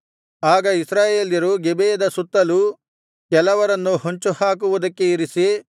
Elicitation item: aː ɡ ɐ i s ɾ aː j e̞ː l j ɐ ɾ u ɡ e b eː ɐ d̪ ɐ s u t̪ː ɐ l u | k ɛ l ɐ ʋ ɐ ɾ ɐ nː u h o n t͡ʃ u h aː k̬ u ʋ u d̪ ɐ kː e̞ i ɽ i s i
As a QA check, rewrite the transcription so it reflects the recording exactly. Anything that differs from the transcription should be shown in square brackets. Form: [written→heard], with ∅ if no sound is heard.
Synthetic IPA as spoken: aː ɡ ɐ i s ɾ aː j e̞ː l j ɐ ɾ u ɡ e b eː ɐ d̪ ɐ s u t̪ː ɐ l u | k ɛ l ɐ ʋ ɐ ɾ ɐ nː u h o [n→ɲ] t͡ʃ u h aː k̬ u ʋ u d̪ ɐ kː e̞ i [ɽ→ɾ] i s i